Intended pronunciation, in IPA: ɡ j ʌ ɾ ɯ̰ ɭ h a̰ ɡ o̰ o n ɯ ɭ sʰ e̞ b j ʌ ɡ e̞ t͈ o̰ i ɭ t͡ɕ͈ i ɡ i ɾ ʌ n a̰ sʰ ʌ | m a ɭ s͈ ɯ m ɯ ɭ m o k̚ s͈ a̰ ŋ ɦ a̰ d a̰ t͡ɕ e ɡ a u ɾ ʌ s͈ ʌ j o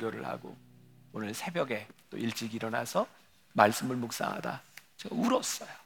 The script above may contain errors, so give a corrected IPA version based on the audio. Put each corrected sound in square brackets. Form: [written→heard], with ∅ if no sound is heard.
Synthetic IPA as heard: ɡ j ʌ ɾ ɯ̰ ɭ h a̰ ɡ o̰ o n ɯ ɭ sʰ e̞ b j ʌ ɡ e̞ t͈ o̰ i ɭ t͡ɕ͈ i ɡ i ɾ ʌ n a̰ sʰ ʌ | m a ɭ s͈ ɯ m ɯ ɭ m o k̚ s͈ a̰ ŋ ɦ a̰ d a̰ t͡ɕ e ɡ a u ɾ ʌ s͈ ʌ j o